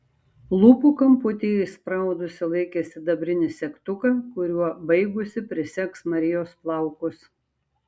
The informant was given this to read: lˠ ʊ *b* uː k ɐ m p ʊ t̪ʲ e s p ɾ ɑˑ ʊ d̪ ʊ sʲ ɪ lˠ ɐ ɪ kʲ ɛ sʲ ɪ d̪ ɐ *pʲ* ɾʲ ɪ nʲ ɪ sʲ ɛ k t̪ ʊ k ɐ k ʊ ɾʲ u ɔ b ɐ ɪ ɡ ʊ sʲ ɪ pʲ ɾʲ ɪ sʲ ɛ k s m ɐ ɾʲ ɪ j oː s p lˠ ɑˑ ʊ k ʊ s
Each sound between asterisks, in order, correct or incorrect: incorrect, incorrect

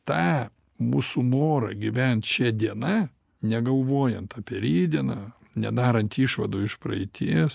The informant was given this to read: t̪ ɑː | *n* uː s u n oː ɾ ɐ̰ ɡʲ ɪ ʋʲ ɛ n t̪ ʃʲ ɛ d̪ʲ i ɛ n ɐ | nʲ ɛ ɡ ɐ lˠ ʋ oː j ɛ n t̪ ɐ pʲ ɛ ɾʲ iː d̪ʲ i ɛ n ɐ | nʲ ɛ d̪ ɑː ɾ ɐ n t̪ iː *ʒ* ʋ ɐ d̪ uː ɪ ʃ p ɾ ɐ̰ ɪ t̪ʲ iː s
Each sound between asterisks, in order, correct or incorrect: incorrect, incorrect

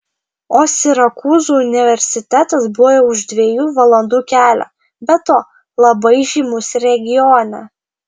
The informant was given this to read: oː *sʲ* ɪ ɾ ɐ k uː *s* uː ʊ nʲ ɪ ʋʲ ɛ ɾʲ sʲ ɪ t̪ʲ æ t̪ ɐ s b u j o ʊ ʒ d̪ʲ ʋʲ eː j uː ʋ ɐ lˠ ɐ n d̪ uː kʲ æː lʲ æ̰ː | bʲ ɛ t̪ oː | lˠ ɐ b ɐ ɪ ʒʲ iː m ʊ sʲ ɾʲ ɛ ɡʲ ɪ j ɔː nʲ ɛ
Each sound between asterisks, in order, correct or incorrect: correct, incorrect

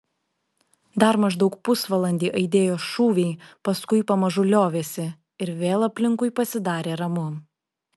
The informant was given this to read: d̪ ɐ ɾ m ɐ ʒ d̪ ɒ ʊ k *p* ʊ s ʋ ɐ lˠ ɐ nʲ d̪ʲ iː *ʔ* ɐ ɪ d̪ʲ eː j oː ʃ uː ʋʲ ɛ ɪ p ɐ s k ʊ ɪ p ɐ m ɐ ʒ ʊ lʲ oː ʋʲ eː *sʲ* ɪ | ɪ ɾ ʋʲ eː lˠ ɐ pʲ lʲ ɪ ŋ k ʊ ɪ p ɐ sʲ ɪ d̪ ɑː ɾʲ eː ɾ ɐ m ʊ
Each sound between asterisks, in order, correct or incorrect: correct, correct, correct

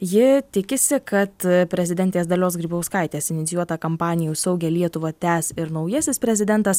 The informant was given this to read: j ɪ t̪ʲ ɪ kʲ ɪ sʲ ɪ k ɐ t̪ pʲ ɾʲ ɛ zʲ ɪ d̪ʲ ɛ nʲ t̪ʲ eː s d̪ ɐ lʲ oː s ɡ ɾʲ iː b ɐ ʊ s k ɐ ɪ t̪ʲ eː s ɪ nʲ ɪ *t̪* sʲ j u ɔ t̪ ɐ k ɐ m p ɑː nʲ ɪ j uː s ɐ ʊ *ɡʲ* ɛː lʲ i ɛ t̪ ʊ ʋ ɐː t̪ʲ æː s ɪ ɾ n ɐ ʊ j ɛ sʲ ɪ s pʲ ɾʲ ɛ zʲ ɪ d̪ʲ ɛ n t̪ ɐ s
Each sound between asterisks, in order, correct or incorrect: correct, correct

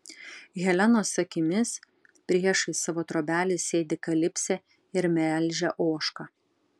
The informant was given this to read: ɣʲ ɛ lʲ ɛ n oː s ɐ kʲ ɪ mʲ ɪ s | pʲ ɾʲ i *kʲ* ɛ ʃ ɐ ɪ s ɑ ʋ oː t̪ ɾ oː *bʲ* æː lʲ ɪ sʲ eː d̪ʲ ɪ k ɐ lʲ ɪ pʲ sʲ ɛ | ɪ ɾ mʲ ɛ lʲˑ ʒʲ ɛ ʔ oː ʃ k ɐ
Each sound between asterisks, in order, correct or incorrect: incorrect, correct

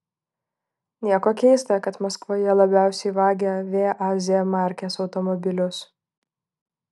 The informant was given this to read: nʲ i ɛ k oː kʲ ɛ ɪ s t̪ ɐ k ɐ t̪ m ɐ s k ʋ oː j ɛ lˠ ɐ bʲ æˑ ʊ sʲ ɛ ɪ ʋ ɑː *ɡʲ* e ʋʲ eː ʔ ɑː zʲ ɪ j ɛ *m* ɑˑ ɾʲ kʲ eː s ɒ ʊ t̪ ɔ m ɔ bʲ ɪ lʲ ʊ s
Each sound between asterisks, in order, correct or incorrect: correct, correct

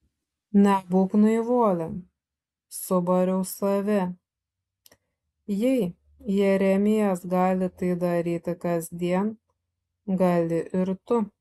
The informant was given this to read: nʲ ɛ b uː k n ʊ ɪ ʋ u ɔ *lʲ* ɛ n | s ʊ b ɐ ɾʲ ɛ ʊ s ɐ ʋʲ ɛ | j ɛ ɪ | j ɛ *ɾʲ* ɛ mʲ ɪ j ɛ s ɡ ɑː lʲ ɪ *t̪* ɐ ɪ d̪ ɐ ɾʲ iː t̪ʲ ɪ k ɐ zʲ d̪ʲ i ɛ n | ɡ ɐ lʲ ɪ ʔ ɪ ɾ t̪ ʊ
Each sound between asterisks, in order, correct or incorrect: correct, correct, correct

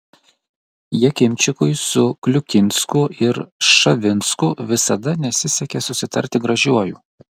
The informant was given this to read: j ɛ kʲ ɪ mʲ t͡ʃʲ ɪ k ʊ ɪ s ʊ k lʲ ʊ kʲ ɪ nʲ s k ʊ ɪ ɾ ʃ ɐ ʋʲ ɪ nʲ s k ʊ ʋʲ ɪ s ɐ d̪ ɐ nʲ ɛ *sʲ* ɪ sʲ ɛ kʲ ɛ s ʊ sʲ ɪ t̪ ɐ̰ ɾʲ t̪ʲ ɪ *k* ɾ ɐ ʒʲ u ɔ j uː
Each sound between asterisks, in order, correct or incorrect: correct, incorrect

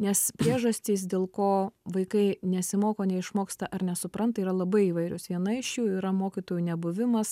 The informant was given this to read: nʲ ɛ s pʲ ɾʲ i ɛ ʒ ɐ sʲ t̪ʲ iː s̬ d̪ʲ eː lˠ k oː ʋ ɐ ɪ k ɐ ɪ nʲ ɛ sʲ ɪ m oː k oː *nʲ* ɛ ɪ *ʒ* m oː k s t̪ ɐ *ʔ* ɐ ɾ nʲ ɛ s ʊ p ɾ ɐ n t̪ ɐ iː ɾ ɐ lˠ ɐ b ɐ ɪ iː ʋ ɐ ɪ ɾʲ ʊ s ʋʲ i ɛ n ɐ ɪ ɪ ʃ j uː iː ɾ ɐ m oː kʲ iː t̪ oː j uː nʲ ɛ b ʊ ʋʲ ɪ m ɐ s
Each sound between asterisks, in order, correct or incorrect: correct, incorrect, correct

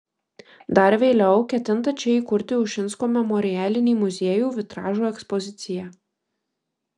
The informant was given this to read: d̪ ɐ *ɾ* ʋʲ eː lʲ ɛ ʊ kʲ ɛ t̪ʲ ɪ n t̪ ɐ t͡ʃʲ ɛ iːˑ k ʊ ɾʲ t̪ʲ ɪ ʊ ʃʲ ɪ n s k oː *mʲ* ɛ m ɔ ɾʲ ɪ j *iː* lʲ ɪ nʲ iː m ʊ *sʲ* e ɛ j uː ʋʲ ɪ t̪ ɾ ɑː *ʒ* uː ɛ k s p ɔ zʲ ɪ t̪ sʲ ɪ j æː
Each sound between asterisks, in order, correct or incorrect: correct, correct, incorrect, incorrect, correct

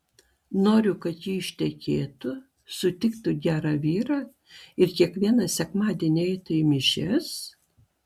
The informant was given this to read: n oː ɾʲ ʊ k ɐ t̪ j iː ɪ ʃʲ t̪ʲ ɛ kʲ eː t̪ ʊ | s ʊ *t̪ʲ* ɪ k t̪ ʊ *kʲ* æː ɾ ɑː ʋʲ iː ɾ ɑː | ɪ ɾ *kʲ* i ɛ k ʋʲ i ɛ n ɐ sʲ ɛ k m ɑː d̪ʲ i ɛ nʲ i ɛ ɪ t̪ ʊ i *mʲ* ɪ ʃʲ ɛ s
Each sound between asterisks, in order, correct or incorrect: correct, incorrect, correct, correct

